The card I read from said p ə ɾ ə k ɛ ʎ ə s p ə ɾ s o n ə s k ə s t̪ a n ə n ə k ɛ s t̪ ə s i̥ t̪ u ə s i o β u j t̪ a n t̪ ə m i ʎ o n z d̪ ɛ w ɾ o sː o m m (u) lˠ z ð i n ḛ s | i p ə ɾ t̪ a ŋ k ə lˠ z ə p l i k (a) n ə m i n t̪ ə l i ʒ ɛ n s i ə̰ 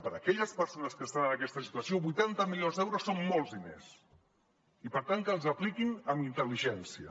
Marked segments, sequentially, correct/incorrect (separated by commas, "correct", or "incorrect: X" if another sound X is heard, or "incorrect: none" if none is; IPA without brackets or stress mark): incorrect: o, incorrect: i